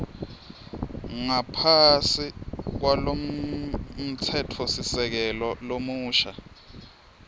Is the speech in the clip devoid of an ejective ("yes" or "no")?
yes